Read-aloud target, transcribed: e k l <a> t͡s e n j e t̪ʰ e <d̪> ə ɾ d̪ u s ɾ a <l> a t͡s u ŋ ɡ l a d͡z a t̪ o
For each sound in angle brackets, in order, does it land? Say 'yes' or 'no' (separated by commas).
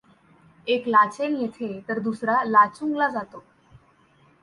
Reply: yes, no, yes